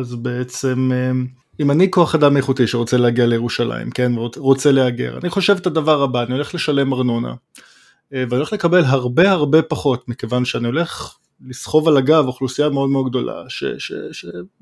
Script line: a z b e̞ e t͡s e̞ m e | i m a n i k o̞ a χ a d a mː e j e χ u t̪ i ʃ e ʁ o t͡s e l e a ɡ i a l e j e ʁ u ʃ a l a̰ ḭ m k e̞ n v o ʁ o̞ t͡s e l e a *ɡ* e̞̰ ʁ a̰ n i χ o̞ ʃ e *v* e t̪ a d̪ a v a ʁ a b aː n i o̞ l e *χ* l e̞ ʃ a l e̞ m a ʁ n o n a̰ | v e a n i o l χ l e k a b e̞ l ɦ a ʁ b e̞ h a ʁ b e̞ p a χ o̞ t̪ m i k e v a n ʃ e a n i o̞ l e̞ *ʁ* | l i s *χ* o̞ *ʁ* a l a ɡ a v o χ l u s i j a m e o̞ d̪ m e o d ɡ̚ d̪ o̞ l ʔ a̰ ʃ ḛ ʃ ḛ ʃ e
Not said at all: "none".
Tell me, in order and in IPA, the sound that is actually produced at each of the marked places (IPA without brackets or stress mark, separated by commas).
ɡ, v, χ, χ, χ, v